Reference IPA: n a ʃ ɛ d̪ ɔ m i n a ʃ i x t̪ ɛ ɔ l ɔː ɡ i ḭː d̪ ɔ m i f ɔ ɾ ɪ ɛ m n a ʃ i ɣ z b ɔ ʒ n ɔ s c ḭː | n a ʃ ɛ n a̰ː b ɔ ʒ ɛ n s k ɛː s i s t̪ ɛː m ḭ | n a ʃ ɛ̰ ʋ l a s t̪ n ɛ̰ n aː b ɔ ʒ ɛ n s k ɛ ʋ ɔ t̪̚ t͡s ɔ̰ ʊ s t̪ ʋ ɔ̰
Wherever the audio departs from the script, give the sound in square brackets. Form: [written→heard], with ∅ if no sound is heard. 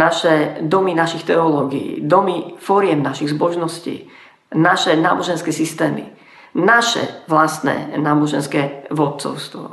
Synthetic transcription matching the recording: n a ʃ ɛ d̪ ɔ m i n a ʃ i x t̪ ɛ ɔ l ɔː ɡ i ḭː d̪ ɔ m i f ɔ ɾ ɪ ɛ m n a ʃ i ɣ z b ɔ ʒ n ɔ s c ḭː | n a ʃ ɛ n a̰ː b ɔ ʒ ɛ n s k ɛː s i s t̪ ɛː m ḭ | n a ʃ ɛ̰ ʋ l a s t̪ n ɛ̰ n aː b ɔ ʒ ɛ n s k ɛ ʋ ɔ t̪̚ t͡s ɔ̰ ʊ s t̪ ʋ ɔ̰